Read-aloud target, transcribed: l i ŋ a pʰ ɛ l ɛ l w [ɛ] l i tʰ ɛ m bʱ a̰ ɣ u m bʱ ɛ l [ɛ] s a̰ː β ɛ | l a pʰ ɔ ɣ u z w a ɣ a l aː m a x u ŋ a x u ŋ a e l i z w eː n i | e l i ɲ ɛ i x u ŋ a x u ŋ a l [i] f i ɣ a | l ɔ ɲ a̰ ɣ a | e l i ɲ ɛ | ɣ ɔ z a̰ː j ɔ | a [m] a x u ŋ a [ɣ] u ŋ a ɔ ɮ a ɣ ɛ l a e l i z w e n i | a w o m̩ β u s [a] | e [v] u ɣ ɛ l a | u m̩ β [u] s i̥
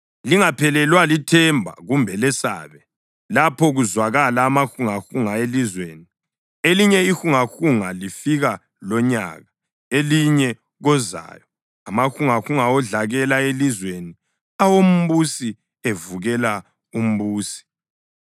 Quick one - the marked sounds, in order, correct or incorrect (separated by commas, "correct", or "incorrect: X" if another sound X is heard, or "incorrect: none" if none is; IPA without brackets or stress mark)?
incorrect: a, correct, correct, correct, incorrect: x, incorrect: i, correct, incorrect: uː